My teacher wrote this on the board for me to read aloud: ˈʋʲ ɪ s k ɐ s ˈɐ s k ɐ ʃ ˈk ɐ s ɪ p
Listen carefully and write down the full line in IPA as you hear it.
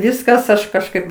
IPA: ˈʋʲ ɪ s k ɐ s ˈɐ ʃ k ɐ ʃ ˈk ɐ ɪ p